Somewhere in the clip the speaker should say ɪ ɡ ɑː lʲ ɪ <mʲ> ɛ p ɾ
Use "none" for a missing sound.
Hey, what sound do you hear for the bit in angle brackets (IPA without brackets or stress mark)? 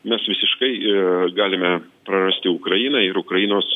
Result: mʲ